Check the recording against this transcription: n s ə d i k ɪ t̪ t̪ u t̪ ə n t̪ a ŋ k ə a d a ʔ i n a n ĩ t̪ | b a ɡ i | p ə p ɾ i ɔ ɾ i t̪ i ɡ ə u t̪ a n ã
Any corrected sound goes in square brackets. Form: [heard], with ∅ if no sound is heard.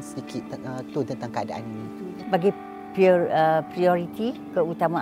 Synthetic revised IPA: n s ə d i k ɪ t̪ t̪ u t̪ ə n t̪ a ŋ k ə a d a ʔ [a] n [i] n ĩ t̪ | b a ɡ i | p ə p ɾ i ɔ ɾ i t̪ i [k] ə u t̪ a [m] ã